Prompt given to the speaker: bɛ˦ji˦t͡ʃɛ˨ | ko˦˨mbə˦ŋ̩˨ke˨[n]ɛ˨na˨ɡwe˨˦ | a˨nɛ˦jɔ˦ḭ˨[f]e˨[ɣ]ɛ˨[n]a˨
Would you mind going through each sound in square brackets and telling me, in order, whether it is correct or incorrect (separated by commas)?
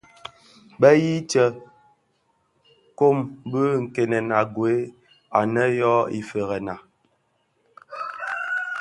correct, correct, correct, correct